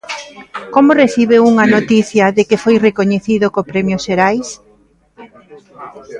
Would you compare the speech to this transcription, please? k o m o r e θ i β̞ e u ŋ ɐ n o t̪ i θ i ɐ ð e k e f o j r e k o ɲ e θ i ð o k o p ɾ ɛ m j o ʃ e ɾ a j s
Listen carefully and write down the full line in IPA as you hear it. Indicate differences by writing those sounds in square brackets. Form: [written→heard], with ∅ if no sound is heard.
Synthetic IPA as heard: k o m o r e θ i β̞ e u ŋ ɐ n o t̪ i θ [i→j] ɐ ð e k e f o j r e k o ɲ e θ i ð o k o p ɾ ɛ m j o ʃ e ɾ a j s